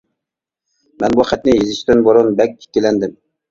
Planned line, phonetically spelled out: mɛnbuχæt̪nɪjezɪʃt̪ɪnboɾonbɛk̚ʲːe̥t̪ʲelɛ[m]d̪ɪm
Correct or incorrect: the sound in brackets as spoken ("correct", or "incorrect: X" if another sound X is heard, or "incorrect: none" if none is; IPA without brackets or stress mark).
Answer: incorrect: n